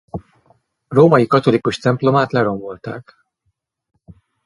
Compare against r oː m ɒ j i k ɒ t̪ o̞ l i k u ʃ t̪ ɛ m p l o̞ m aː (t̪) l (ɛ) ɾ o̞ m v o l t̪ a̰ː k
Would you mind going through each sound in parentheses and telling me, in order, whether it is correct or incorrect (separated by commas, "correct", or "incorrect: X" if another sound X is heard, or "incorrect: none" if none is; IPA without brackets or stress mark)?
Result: correct, correct